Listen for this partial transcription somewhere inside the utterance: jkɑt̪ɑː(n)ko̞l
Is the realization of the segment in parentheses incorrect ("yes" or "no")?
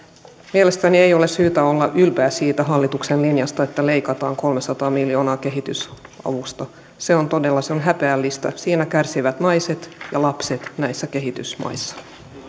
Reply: yes